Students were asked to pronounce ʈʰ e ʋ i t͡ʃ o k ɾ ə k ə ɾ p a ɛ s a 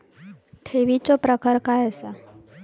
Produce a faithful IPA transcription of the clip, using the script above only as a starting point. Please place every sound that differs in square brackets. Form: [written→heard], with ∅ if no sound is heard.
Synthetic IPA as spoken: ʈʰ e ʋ i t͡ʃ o [k→p] ɾ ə k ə ɾ [p→k] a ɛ s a